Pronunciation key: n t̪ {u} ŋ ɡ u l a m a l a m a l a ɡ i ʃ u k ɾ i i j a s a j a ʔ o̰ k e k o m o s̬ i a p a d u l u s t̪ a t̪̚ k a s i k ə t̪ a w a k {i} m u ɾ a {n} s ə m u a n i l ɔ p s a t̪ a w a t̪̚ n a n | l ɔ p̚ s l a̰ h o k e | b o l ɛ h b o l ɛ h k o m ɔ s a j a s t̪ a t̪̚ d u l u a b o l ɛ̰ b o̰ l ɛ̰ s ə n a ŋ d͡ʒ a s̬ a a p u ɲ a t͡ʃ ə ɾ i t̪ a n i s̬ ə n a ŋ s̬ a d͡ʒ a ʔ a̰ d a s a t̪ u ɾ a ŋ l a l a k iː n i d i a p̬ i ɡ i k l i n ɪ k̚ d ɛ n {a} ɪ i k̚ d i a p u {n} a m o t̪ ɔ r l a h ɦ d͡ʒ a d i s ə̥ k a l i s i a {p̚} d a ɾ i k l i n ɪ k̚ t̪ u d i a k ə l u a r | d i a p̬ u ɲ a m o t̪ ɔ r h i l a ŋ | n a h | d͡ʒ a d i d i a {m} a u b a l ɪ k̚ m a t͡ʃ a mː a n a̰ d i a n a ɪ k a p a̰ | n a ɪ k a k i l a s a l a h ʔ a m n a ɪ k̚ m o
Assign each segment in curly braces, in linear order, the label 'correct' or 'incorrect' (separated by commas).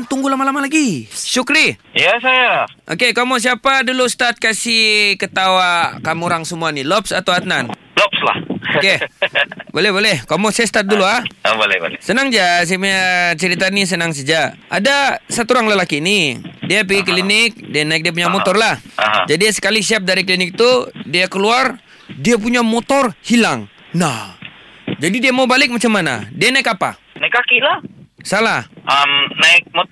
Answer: correct, incorrect, incorrect, correct, incorrect, correct, correct